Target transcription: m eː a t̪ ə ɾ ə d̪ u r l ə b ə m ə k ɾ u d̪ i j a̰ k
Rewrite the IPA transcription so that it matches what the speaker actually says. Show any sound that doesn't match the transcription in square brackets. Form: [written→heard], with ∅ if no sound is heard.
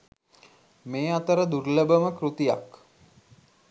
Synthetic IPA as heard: m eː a t̪ ə ɾ ə d̪ u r l ə b ə m ə k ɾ u [d̪→t̪] i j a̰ k